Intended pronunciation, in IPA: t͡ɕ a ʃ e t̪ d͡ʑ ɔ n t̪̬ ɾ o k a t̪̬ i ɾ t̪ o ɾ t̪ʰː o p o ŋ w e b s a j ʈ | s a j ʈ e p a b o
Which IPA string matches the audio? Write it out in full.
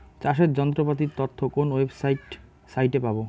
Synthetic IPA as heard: t͡ɕ a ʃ e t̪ d͡ʑ ɔ n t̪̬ ɾ o p a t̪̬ i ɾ t̪ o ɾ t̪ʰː o k o n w e b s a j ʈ | s a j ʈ e p a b o